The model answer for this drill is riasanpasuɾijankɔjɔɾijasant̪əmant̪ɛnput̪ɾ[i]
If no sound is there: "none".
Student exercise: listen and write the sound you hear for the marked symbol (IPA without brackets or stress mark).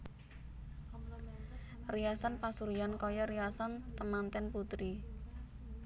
i